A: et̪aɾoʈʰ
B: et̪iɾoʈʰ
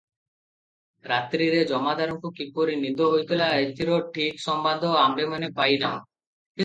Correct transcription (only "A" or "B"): B